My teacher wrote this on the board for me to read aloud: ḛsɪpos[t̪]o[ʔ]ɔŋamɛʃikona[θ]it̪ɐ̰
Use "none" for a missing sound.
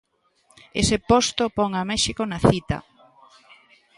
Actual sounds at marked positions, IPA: t̪, p, θ

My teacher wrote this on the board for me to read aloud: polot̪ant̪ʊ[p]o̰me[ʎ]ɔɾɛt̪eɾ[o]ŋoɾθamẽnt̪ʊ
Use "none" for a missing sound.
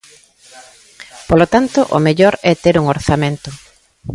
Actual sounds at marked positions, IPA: ʔ, ʎ, u

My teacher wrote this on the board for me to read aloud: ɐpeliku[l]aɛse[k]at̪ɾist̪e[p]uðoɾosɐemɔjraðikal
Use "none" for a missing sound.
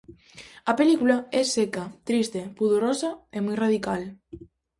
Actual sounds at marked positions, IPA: l, k, p

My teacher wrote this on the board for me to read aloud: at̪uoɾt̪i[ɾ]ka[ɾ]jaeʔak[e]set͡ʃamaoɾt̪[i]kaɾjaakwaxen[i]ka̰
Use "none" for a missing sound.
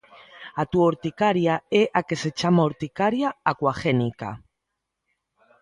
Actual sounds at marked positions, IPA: none, ɾ, e, i, i

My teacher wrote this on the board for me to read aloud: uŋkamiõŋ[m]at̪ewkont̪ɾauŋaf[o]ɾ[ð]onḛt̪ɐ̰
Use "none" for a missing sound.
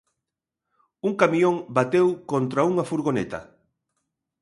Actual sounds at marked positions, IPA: b, u, ɣ

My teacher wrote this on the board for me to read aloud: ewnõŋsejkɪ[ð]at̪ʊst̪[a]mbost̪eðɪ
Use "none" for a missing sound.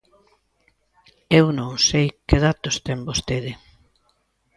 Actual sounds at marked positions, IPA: ð, ɛ

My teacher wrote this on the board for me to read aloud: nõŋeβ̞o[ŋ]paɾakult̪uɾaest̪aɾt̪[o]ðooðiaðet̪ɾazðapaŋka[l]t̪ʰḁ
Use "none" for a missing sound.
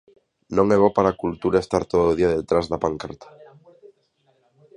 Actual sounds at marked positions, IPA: none, o, ɾ

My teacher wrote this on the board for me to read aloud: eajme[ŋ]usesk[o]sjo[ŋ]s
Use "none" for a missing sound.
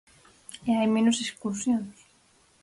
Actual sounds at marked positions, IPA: n, u, n

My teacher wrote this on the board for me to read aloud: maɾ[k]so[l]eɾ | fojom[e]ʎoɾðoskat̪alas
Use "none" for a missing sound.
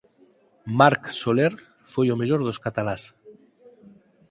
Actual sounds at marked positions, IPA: k, l, e

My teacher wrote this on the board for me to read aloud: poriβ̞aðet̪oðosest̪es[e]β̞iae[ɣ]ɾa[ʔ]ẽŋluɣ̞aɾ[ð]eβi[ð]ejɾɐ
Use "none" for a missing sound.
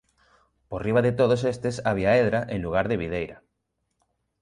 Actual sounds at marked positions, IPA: a, ð, ʔ, ð, ð

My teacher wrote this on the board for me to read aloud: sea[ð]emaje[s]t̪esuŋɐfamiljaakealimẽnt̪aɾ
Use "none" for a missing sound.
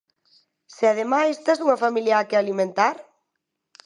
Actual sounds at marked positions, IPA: ð, s

